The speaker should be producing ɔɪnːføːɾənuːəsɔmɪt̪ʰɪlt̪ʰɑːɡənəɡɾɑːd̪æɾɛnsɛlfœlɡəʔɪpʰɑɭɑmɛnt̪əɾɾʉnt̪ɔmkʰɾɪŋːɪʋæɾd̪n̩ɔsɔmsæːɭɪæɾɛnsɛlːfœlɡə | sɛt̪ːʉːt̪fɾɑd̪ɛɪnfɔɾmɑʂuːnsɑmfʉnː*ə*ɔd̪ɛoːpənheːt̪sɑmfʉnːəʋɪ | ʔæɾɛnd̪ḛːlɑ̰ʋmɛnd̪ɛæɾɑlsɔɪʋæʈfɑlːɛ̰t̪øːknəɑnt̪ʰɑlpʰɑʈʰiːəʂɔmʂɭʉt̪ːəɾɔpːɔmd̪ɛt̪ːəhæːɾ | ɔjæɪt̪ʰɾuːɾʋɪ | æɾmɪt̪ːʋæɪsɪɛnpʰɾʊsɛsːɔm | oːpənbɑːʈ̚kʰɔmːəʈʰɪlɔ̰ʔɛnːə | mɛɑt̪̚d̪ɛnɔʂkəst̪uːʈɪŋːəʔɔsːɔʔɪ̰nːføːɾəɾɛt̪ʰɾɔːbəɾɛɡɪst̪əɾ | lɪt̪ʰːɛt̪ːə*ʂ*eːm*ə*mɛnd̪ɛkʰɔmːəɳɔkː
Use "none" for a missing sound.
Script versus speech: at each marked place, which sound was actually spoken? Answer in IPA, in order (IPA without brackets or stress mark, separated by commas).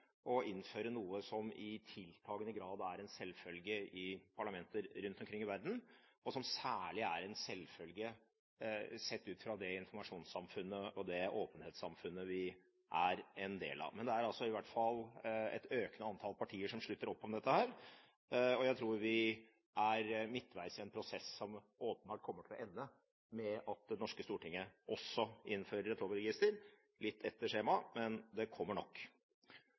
ə, ʂ, ɑ